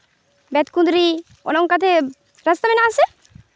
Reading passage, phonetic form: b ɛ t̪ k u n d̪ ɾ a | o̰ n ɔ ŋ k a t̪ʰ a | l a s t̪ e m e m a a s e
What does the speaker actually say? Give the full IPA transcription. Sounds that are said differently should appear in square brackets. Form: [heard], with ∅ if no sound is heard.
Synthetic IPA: b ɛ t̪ k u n d̪ ɾ [i] | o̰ n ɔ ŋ k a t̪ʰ [e] | [ɾ] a s t̪ [a] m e [n] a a s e